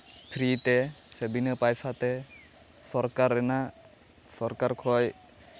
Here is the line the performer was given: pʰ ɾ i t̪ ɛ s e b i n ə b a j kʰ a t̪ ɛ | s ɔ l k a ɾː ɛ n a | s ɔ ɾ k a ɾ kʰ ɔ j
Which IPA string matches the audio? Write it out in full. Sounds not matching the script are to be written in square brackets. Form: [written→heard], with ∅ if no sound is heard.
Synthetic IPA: pʰ ɾ i t̪ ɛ s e b i n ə [b→p] a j [kʰ→pʰ] a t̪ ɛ | s ɔ [l→ɾ] k a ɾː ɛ n a | s ɔ ɾ k a ɾ kʰ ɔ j